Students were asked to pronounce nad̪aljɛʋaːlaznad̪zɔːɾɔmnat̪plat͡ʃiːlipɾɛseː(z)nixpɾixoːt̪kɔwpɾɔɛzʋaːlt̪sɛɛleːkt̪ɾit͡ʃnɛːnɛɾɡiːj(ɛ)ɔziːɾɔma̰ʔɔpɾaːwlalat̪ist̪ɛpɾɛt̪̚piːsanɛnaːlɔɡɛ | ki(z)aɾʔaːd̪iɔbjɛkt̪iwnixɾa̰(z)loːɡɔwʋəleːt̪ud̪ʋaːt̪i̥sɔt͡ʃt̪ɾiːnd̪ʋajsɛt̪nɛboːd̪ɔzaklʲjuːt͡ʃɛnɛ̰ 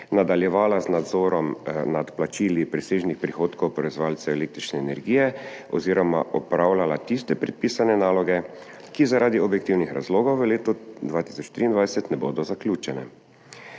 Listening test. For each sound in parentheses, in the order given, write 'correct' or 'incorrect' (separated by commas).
incorrect, correct, correct, correct